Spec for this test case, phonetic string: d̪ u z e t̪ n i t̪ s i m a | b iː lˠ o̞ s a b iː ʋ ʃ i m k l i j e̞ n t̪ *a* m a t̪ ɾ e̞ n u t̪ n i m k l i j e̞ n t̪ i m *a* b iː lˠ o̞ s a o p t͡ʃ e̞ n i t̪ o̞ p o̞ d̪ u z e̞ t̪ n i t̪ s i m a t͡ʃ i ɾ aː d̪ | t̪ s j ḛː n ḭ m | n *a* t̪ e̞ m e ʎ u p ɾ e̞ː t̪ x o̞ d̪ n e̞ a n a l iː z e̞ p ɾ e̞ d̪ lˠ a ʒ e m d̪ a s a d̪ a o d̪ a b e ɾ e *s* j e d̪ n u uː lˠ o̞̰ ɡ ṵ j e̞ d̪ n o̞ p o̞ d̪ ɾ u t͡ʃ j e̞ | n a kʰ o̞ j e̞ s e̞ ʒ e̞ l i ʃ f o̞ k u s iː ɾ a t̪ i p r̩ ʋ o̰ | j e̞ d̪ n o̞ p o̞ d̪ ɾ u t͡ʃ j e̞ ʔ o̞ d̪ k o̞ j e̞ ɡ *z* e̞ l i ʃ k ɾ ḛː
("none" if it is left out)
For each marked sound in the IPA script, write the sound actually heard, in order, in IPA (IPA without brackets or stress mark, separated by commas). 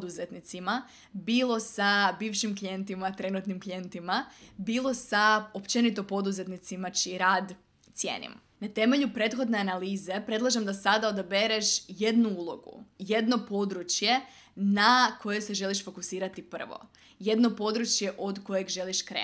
i, a, a, ʃ, ʒ